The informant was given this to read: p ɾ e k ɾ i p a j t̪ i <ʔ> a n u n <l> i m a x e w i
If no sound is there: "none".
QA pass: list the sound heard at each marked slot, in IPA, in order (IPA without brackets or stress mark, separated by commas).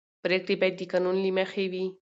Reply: k, l